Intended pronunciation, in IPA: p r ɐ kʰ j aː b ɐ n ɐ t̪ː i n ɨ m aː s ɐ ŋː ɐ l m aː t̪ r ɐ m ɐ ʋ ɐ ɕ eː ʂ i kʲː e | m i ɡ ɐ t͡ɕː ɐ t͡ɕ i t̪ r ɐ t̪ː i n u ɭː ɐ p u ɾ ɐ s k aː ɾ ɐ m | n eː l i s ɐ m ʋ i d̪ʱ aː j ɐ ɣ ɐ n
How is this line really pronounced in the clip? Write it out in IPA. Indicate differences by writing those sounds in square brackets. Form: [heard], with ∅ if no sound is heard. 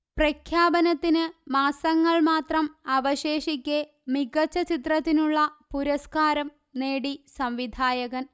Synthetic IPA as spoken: p r ɐ kʰ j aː b ɐ n ɐ t̪ː i n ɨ m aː s ɐ ŋː ɐ [ɭ] m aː t̪ r ɐ m ɐ ʋ ɐ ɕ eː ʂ i kʲː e | m i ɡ ɐ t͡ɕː ɐ t͡ɕ i t̪ r ɐ t̪ː i n u ɭː ɐ p u ɾ ɐ s k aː ɾ ɐ m | n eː [ɽ] i s ɐ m ʋ i d̪ʱ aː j ɐ ɣ ɐ n